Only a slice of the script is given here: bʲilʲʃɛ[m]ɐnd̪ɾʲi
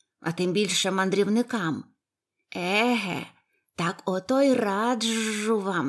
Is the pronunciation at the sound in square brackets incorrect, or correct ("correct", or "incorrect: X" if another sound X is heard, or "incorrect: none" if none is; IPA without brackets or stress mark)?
correct